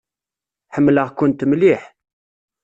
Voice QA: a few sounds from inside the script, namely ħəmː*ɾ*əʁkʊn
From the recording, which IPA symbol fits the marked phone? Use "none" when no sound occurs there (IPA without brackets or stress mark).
l